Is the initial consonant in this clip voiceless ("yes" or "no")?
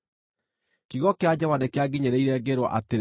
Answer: yes